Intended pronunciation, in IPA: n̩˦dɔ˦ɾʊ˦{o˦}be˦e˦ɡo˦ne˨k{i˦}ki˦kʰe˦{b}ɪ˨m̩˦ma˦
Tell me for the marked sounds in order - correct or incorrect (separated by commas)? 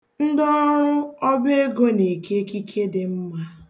incorrect, incorrect, incorrect